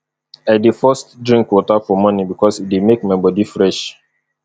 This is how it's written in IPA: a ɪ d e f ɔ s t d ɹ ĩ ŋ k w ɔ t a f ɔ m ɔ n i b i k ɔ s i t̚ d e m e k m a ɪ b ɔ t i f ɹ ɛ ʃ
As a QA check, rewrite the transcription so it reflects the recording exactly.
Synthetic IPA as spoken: a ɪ d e f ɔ s t d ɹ ĩ ŋ k w ɔ t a f ɔ m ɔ n i b i k ɔ s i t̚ d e m e k m a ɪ b ɔ d i f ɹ ɛ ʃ

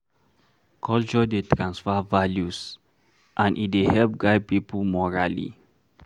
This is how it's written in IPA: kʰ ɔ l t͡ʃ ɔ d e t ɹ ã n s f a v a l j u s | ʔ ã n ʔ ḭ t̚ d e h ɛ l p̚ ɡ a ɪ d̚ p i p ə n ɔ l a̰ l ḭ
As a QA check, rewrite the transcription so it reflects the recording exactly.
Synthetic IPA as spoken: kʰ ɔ l t͡ʃ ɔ d e t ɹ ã n s f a v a l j u s | ʔ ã n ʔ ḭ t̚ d e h ɛ l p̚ ɡ a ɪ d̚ p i p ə m ɔ ɹ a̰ l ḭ

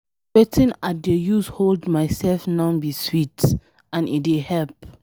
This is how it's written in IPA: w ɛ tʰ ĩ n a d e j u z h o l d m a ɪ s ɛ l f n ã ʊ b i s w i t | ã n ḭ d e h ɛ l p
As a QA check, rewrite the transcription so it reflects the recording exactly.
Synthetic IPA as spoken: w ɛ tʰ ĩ n a d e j u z h o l d m a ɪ s ɛ l f n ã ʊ b i s w i t | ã n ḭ d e h ɛ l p

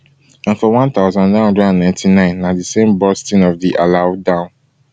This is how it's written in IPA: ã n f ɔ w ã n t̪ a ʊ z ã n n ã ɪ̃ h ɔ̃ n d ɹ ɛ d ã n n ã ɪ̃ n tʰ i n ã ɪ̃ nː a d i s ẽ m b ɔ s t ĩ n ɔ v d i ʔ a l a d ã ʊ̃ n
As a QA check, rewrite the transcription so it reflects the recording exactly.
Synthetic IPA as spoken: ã n f ɔ w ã n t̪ a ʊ z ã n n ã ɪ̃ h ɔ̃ n d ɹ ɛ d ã n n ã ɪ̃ n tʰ i n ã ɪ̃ nː a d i s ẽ m b ɔ s t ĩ n ɔ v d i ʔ a l a d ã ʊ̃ n

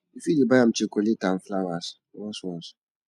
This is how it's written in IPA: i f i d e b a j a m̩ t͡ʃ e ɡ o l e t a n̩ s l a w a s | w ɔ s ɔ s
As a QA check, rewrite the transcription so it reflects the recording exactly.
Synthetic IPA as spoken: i f i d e b a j a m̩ t͡ʃ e k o l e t a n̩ f l a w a s | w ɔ s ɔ s

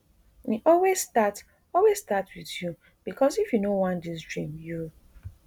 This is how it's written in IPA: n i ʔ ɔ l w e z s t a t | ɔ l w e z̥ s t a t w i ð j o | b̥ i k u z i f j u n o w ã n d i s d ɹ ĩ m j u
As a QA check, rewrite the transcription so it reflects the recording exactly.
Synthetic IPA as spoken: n i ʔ ɔ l w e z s t a t | ɔ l w e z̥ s t a t w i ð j u | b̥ i k ɔ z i f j u n o w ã n d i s d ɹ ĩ m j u

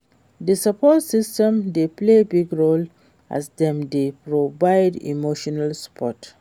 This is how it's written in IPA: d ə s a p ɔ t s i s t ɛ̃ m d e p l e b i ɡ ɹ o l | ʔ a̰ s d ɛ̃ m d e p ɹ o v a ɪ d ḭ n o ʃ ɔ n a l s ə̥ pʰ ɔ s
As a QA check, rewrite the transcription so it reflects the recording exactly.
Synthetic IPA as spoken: d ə s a p ɔ t s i s t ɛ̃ m d e p l e b i ɡ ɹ o l | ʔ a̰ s d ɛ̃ m d e p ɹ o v a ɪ d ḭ m o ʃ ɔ n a l s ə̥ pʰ ɔ t

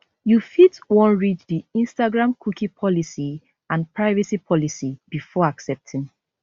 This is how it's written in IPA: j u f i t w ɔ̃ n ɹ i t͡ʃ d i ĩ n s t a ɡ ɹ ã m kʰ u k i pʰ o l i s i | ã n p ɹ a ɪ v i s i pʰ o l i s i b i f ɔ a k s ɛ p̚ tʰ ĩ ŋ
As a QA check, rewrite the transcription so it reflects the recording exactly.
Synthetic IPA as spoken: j u f i t w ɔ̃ n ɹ i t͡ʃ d i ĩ n s t a ɡ ɹ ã m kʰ u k i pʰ ɔ l i s i | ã n p ɹ a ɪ v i s i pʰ ɔ l i s i b i f ɔ a k s ɛ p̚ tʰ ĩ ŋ

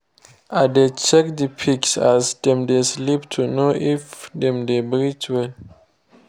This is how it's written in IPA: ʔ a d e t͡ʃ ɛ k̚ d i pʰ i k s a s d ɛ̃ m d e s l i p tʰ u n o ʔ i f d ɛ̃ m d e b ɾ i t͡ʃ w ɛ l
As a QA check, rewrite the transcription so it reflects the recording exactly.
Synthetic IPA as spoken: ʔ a d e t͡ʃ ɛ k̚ d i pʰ i k s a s d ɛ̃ m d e s l i p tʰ u n o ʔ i f d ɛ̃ m d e b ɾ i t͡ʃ w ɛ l

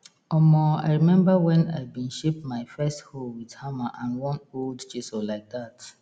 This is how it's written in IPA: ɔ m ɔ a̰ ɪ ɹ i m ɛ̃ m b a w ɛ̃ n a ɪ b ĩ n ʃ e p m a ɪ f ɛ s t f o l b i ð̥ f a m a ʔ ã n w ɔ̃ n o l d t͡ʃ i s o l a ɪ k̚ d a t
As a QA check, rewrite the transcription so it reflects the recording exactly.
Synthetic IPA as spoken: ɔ m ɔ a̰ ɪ ɹ i m ɛ̃ m b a w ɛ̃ n a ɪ b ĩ n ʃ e p m a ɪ f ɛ s t h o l w i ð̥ h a m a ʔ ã n w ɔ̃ n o l d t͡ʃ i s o l a ɪ k̚ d a t

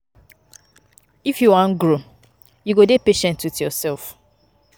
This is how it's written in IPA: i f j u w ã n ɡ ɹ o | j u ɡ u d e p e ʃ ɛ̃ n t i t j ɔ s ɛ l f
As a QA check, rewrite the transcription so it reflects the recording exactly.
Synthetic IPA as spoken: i f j u w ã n ɡ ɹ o | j u ɡ o d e p e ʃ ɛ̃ n t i t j ɔ s ɛ l f

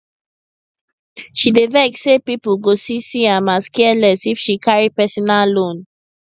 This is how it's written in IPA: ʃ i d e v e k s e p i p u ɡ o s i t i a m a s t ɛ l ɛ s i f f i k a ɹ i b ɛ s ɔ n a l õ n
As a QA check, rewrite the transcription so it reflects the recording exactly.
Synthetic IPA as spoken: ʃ i d e v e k s e p i p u ɡ o s i s i a m a s k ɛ l ɛ s i f ʃ i k a ɹ i p ɛ s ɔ n a l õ n

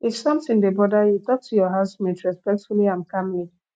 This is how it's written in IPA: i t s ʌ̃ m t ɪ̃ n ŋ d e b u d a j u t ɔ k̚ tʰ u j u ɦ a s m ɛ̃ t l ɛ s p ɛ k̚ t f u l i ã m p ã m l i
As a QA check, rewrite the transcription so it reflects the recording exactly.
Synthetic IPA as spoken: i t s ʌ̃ m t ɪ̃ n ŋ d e b ɔ d a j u t ɔ k̚ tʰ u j ɔ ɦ a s m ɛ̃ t ɹ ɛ s p ɛ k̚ t f u l i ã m k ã m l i

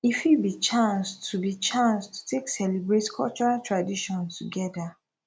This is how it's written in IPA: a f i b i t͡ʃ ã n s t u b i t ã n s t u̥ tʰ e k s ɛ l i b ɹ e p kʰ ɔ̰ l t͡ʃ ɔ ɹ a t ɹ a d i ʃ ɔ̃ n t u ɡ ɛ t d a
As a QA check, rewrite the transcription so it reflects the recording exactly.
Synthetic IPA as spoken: i f i b i t͡ʃ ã n s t u b i t͡ʃ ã n s t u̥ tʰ e k s ɛ l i b ɹ e t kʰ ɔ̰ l t͡ʃ ɔ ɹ a t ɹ a d i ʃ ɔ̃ n t u ɡ ɛ d a

